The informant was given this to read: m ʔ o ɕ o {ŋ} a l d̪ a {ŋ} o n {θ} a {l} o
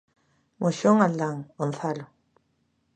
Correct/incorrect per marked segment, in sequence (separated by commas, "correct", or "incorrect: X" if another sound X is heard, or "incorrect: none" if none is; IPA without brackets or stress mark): correct, correct, correct, correct